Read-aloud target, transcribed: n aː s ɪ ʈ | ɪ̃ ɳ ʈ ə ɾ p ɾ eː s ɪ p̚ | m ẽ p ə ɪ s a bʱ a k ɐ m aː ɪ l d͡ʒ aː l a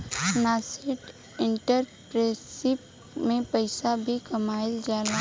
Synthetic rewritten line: n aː s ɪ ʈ | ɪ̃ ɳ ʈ ə ɾ p ɾ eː s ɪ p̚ | m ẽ p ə ɪ s a bʱ i k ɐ m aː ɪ l d͡ʒ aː l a